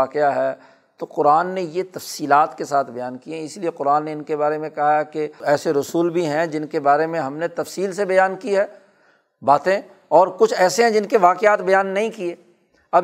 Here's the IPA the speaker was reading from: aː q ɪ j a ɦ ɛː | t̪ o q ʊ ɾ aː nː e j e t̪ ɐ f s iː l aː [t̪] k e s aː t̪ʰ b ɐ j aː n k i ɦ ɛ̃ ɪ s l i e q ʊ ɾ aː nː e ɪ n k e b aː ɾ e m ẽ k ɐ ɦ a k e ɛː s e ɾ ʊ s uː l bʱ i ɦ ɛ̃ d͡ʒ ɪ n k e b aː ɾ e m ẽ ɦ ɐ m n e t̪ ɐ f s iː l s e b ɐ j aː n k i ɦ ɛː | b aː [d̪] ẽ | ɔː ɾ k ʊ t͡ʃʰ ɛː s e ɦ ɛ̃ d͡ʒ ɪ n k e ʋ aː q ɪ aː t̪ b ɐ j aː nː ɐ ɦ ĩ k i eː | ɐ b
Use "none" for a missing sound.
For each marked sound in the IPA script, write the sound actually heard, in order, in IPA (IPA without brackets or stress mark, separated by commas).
t̪, t̪